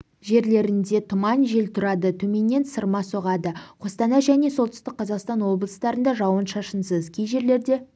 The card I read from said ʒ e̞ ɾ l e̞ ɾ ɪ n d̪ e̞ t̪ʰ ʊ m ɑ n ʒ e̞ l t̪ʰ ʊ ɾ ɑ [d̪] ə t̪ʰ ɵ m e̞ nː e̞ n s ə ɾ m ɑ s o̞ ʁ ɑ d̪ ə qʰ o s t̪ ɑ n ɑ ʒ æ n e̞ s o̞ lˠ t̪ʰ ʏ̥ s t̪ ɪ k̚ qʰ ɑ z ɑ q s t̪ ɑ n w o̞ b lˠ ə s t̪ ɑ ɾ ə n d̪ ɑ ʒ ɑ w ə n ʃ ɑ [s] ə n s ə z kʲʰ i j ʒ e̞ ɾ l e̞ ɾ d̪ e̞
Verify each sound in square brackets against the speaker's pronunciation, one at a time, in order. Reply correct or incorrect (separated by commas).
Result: correct, incorrect